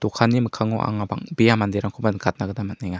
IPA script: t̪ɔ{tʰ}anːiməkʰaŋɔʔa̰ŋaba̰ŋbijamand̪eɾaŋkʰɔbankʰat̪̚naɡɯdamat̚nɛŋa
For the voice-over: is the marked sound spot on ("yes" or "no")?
no